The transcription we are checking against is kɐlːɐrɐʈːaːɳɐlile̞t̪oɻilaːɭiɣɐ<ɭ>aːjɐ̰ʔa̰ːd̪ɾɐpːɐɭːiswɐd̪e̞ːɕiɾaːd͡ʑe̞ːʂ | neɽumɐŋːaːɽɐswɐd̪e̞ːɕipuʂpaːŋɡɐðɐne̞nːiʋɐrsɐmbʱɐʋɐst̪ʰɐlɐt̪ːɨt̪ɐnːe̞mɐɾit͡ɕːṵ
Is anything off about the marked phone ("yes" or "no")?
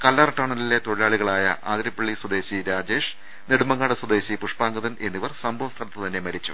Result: no